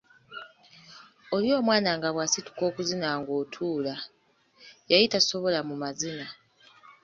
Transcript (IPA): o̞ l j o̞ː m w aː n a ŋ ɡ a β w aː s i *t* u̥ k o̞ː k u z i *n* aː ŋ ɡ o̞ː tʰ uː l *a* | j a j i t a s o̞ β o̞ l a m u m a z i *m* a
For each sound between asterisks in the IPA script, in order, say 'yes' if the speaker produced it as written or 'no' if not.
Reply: yes, yes, yes, no

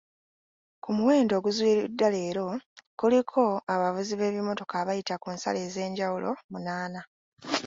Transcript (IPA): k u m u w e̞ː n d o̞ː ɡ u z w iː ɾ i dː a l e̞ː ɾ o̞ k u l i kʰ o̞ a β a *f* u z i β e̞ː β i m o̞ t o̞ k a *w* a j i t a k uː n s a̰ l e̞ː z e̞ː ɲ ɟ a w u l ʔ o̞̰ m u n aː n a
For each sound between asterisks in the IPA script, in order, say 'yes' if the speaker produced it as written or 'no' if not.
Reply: no, no

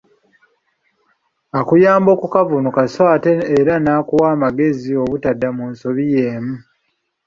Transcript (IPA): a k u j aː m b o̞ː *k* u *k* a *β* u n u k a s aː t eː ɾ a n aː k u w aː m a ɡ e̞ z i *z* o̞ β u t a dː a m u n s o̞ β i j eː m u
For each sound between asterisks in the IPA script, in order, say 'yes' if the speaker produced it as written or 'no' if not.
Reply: yes, yes, no, no

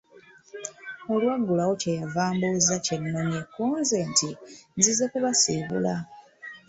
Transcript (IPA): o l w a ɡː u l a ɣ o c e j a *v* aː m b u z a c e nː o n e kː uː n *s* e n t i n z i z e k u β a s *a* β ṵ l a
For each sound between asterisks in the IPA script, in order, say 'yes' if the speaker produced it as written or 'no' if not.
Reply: yes, no, no

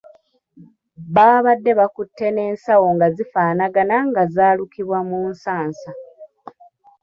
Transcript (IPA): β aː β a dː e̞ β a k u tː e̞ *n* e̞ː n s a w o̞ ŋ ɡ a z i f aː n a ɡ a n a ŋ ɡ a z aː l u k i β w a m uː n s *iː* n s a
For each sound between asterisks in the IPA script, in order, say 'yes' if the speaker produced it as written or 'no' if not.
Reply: yes, no

